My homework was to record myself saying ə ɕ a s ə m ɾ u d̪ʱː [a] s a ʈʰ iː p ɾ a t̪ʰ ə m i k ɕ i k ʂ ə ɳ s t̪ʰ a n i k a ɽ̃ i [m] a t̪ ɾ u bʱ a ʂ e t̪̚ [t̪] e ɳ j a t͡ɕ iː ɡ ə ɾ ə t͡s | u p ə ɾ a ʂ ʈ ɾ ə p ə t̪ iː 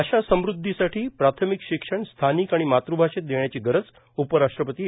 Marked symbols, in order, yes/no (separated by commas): no, yes, no